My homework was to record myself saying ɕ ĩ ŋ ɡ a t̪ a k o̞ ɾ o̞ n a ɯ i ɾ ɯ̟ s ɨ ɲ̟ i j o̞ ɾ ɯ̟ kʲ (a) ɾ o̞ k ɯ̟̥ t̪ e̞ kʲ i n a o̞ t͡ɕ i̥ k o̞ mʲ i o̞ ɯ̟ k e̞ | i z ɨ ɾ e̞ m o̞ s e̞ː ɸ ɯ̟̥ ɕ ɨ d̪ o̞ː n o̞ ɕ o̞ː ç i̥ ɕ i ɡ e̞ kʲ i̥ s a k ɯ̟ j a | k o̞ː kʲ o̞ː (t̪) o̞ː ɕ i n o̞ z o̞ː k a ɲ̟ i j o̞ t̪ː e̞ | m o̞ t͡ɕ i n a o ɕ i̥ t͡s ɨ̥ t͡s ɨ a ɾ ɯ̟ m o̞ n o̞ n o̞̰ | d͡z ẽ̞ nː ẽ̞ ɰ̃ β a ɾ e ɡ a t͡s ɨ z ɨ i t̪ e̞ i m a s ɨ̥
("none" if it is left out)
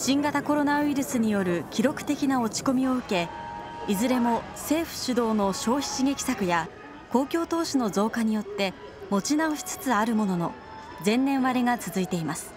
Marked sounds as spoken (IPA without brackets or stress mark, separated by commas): i, t̪